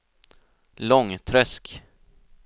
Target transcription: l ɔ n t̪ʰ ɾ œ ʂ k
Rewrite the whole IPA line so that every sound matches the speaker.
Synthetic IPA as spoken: l ɔ ŋ t̪ʰ ɾ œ s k